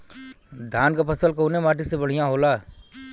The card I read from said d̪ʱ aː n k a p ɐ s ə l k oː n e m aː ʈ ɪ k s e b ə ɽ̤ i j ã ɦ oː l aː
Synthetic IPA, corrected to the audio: d̪ʱ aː n k a p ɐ s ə l k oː n e m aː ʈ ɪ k s e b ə ɽ̤ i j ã ɦ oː l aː